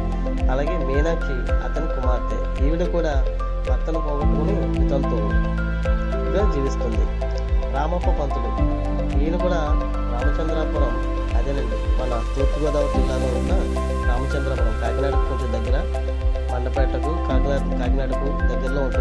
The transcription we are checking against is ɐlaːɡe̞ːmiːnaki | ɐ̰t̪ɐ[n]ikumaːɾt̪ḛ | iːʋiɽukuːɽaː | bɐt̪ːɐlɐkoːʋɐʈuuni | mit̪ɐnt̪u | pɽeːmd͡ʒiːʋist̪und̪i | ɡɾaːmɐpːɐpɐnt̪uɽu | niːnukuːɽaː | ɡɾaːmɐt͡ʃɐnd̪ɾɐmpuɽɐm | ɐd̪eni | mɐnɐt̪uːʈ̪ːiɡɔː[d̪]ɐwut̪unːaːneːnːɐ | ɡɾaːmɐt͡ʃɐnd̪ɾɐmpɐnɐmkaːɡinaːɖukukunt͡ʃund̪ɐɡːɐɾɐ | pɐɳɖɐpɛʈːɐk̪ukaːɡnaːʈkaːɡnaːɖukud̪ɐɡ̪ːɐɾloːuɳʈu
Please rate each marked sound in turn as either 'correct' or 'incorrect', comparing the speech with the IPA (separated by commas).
correct, correct